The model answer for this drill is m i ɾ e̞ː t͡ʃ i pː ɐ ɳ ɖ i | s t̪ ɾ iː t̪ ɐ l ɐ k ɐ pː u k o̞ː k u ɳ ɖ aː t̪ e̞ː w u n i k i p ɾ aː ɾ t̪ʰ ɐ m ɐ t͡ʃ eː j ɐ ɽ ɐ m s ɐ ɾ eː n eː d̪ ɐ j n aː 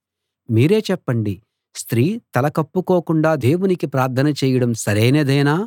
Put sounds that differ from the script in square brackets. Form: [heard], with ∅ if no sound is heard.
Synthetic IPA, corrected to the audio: m [iː] ɾ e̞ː t͡ʃ [ɛ] pː ɐ ɳ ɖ i | s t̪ ɾ iː t̪ ɐ l ɐ k ɐ pː u k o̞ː k u ɳ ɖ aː [d̪] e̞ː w u n i k i p ɾ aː ɾ t̪ʰ ɐ [n] ɐ t͡ʃ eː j ɐ ɽ ɐ m s ɐ ɾ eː n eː d̪ ɐ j n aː

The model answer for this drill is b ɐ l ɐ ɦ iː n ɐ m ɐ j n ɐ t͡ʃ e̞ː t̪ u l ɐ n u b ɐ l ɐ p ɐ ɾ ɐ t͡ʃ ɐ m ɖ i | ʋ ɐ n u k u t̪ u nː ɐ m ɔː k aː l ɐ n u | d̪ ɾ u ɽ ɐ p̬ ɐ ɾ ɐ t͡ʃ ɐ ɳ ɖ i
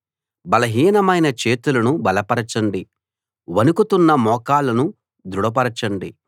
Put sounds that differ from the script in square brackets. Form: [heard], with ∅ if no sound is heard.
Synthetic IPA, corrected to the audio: b ɐ l ɐ ɦ iː n ɐ m ɐ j n ɐ t͡ʃ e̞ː t̪ u l ɐ n u b ɐ l ɐ p ɐ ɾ ɐ t͡ʃ ɐ [ɳ] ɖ i | ʋ ɐ n u k u t̪ u nː ɐ m ɔː k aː l ɐ n u | d̪ ɾ u ɽ ɐ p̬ ɐ ɾ ɐ t͡ʃ ɐ ɳ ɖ i

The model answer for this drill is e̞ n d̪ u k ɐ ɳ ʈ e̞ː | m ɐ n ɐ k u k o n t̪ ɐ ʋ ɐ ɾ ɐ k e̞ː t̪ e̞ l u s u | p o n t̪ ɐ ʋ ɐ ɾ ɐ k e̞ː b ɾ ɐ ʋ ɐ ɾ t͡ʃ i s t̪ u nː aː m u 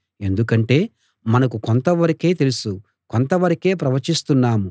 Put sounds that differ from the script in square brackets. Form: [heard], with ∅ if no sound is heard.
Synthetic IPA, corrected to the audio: e̞ n d̪ u k ɐ ɳ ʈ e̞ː | m ɐ n ɐ k u k o n t̪ ɐ ʋ ɐ ɾ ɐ k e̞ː t̪ e̞ l u s u | [k] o n t̪ ɐ ʋ ɐ ɾ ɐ k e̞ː [p] ɾ ɐ ʋ ɐ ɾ t͡ʃ i s t̪ u nː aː m u

